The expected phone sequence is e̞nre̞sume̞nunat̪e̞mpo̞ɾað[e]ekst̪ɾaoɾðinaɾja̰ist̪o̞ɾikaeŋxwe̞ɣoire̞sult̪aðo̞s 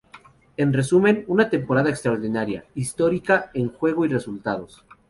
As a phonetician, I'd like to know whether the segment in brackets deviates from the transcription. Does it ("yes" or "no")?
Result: yes